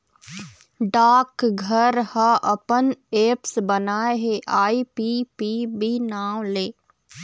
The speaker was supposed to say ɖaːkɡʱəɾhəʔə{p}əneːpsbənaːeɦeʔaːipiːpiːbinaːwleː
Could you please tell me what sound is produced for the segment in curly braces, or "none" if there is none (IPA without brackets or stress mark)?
p